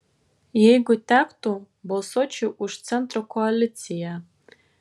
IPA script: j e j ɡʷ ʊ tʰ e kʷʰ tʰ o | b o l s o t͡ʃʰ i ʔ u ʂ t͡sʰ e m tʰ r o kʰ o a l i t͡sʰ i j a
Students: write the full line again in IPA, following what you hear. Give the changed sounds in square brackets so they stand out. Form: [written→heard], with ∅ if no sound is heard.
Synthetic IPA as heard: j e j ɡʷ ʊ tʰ [e→a] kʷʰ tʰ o | b o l s o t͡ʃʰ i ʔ u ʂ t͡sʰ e [m→n] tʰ r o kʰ o a l i t͡sʰ i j a